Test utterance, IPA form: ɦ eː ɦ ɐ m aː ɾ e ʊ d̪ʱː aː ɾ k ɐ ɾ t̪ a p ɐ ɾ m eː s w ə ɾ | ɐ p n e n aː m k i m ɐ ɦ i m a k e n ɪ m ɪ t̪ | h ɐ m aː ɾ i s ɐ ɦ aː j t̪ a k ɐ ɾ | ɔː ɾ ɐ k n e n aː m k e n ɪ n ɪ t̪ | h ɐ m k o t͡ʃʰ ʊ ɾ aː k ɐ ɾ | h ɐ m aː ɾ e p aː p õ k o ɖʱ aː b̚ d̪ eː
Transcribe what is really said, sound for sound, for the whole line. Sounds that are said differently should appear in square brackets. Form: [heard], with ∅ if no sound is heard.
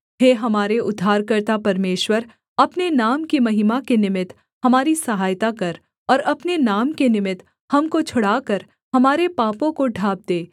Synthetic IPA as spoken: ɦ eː ɦ ɐ m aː ɾ e ʊ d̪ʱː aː ɾ k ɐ ɾ t̪ a p ɐ ɾ m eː [ʃ] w ə ɾ | ɐ p n e n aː m k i m ɐ ɦ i m a k e n ɪ m ɪ t̪ | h ɐ m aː ɾ i s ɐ ɦ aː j t̪ a k ɐ ɾ | ɔː ɾ ɐ [p] n e n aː m k e n ɪ [m] ɪ t̪ | h ɐ m k o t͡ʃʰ ʊ [ɽ] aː k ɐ ɾ | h ɐ m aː ɾ e p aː p õ k o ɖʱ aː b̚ d̪ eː